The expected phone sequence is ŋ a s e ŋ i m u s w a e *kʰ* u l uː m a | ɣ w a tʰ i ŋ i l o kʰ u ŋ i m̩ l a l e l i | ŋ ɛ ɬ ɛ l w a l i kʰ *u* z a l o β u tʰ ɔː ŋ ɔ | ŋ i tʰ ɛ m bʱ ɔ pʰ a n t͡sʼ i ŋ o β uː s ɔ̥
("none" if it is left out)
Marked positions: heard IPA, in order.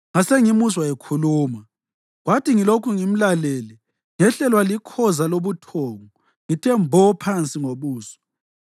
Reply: kʰ, ɔ

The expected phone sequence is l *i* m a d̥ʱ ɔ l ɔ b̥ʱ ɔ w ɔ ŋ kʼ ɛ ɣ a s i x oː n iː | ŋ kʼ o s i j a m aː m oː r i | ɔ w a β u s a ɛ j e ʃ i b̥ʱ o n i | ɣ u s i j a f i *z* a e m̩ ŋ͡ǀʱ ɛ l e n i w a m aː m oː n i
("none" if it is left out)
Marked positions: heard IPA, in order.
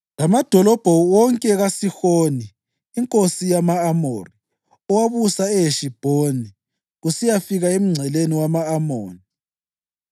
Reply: a, ɣ

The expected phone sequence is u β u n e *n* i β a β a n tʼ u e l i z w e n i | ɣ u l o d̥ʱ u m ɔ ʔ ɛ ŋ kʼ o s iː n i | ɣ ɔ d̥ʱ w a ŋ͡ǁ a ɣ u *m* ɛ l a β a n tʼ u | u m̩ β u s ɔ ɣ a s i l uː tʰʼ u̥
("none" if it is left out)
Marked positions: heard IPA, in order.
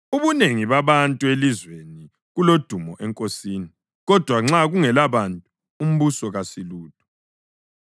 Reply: ŋ, ŋ

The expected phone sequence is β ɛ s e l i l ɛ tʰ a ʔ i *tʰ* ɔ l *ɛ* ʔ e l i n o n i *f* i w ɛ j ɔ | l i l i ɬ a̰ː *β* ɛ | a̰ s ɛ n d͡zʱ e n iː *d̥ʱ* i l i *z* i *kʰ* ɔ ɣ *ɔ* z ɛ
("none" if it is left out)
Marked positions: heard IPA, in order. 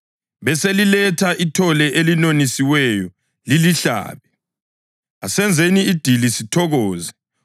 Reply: tʰ, ɛ, s, β, d̥ʱ, s, tʰ, ɔː

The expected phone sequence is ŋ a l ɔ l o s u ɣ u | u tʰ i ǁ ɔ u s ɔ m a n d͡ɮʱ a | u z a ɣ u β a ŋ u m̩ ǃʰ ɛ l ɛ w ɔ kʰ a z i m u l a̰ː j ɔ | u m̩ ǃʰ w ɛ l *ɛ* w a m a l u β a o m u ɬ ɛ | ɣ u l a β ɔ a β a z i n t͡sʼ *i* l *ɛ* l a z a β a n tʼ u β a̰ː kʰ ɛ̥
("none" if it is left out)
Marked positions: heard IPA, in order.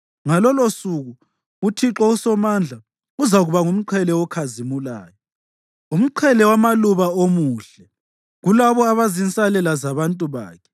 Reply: ɛ, a, ɛ

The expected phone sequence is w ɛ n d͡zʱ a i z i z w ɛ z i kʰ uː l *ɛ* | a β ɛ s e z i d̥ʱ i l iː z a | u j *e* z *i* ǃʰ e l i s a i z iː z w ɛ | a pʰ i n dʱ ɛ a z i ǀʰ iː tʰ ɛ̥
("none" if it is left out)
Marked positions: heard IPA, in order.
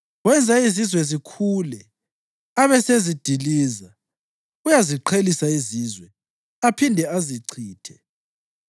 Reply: ɛ, a, i

